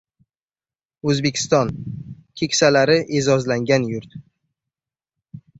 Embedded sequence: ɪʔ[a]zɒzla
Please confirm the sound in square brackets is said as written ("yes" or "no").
no